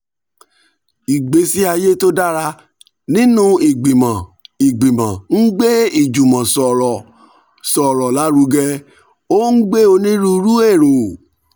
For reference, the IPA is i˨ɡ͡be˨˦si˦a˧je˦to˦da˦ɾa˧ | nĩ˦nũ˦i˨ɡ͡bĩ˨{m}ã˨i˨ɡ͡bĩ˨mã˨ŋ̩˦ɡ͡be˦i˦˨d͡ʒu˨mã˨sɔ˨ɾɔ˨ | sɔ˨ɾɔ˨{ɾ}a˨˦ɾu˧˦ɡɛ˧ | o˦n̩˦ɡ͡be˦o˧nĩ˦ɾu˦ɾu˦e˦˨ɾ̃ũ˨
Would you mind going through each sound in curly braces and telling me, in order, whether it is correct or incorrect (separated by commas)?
correct, incorrect